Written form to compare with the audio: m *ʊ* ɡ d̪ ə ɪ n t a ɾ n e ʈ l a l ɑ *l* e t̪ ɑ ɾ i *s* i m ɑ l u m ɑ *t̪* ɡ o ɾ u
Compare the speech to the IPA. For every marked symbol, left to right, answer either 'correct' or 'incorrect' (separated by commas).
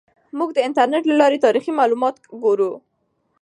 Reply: incorrect, incorrect, incorrect, correct